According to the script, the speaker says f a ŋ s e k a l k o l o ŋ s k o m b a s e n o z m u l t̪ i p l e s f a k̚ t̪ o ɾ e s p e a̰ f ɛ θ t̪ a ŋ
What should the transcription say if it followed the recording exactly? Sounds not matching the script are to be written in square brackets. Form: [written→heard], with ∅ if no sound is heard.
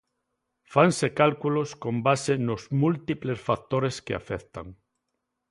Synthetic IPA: f a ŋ s e k a l k [o→u] l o [ŋ→∅] s k o m b a s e n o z m u l t̪ i p l e s f a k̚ t̪ o ɾ e s [p→k] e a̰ f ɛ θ t̪ a ŋ

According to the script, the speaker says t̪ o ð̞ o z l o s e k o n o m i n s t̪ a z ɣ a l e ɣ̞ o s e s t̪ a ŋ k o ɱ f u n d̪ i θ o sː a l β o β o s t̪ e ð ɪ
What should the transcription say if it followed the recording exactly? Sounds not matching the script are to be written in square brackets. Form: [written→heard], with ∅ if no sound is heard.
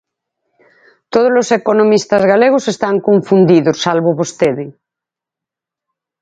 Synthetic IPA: t̪ o ð̞ o z l o s e k o n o m i [n→∅] s t̪ a z ɣ a l e ɣ̞ o s e s t̪ a ŋ k o ɱ f u n d̪ i [θ→ð] o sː a l β o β o s t̪ e ð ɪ

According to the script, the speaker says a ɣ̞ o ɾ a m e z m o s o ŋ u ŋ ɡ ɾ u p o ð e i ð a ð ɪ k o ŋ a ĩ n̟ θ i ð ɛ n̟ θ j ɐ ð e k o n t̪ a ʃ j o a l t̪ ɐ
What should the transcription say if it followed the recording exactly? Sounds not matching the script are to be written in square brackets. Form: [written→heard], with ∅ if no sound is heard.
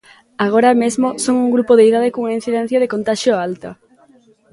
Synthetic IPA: a ɣ̞ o ɾ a m e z m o s o ŋ u ŋ ɡ ɾ u p o ð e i ð a ð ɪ k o ŋ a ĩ n̟ θ i ð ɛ n̟ θ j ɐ ð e k o n t̪ a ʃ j o a l t̪ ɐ

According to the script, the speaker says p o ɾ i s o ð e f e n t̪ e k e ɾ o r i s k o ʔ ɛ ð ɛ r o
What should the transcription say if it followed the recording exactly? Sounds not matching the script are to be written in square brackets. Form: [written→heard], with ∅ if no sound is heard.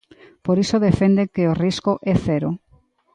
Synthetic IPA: p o ɾ i s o ð e f e n [t̪→d̪] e k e [ɾ→∅] o r i s k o ʔ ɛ [ð→θ] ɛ [r→ɾ] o

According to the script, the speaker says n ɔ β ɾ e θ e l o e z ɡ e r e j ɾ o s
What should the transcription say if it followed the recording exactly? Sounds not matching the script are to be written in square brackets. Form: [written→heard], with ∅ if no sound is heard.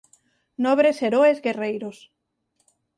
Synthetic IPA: n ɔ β ɾ e [θ→s] e [l→ɾ] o e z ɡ e r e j ɾ o s

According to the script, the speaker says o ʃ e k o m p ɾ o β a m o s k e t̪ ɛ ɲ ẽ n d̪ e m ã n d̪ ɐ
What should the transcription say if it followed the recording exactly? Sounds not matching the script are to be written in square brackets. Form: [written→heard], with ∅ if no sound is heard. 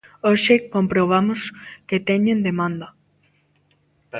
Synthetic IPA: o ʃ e k o m p ɾ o β a m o s k e t̪ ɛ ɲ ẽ n d̪ e m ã n d̪ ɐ

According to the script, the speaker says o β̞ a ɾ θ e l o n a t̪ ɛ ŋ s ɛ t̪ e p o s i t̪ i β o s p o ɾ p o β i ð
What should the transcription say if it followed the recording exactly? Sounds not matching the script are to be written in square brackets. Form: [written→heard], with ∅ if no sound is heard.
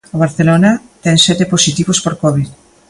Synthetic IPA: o β̞ a ɾ θ e l o n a t̪ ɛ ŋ s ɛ t̪ e p o s i t̪ i β o s p o ɾ [p→k] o β i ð

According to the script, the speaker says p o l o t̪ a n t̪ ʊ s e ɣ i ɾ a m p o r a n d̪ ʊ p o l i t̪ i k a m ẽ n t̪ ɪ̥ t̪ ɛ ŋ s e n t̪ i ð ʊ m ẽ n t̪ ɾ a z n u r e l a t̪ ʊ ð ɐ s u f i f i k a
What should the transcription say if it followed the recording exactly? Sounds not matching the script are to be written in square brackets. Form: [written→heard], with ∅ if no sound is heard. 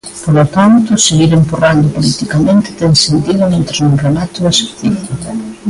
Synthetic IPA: p o l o t̪ a n t̪ ʊ s e ɣ i ɾ [a→e] m p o r a n d̪ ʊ p o l i t̪ i k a m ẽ n t̪ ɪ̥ t̪ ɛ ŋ s e n t̪ i ð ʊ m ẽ n t̪ ɾ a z n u r e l a t̪ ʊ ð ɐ s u [f→θ] i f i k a

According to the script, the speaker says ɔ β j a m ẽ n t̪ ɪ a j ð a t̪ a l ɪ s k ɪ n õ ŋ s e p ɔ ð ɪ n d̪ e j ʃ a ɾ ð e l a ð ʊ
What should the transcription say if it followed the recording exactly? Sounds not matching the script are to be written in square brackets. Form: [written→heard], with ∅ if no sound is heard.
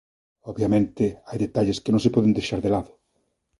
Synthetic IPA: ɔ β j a m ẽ n t̪ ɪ a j ð [a→e] t̪ a [l→ʎ] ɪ s k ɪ n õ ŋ s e p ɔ ð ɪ n d̪ e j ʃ a ɾ ð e l a ð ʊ

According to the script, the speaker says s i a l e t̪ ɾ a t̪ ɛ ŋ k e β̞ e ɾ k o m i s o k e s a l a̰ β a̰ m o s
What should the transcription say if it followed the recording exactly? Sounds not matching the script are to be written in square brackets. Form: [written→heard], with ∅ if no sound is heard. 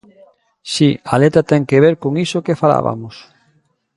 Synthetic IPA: s i a l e t̪ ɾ a t̪ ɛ ŋ k e β̞ e ɾ k o [m→ŋ] i s o k e [s→f] a l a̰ β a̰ m o s

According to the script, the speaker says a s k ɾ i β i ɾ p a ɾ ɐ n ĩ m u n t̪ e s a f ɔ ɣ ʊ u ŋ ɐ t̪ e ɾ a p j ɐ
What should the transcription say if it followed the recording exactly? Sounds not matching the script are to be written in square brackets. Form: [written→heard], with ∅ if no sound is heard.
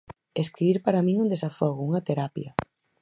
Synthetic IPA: [a→e] s k ɾ i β i ɾ p a ɾ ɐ [n→m] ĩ [m→ŋ] u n [t̪→d̪] e s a f ɔ ɣ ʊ u ŋ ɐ t̪ e ɾ a p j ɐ

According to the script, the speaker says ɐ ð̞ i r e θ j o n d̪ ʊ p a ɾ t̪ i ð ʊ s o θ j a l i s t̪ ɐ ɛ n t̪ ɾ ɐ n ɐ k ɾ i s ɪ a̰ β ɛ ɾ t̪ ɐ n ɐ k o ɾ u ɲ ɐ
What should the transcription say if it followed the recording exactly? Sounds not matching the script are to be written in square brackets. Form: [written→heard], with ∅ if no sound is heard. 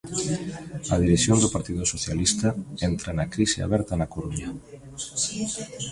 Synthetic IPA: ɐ ð̞ i [r→ɾ] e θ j o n d̪ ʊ p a ɾ t̪ i ð ʊ s o θ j a l i s t̪ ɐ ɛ n t̪ ɾ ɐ n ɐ k ɾ i s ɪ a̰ β ɛ ɾ t̪ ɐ n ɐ k o ɾ u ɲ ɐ

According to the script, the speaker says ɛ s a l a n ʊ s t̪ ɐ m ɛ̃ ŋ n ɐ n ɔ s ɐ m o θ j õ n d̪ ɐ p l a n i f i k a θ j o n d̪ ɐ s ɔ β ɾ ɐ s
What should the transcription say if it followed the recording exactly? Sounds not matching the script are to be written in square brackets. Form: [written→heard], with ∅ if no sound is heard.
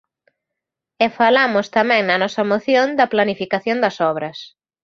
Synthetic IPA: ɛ [s→f] a l a [n→m] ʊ s t̪ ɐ m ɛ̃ ŋ n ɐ n ɔ s ɐ m o θ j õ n d̪ ɐ p l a n i f i k a θ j o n d̪ ɐ s ɔ β ɾ ɐ s

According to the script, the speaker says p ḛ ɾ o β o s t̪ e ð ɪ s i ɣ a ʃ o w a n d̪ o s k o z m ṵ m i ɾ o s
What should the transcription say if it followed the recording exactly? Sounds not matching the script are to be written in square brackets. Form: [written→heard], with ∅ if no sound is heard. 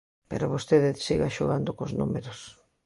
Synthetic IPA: p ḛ ɾ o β o s t̪ e ð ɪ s i ɣ a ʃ o [w→ɣ] a n d̪ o [s→∅] k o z [m→n] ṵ m [i→e] ɾ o s

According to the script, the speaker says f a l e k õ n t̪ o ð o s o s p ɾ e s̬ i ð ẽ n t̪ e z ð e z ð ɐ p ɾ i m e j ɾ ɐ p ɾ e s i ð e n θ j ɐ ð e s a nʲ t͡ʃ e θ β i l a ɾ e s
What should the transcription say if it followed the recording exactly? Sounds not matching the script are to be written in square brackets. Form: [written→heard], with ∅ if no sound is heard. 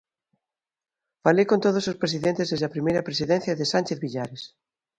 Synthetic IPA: f a l e k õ n t̪ o ð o s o s p ɾ e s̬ i ð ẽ n t̪ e z ð e z ð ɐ p ɾ i m e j ɾ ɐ p ɾ e s i ð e n θ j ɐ ð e s a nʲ t͡ʃ e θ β i [l→ʎ] a ɾ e s

